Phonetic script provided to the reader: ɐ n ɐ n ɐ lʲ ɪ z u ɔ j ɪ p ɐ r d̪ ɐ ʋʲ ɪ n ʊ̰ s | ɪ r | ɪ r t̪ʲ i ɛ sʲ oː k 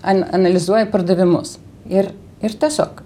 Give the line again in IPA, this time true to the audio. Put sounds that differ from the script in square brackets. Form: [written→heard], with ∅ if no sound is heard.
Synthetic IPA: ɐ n ɐ n ɐ lʲ ɪ z u ɔ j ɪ p ɐ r d̪ ɐ ʋʲ ɪ [n→m] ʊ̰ s | ɪ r | ɪ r t̪ʲ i ɛ sʲ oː k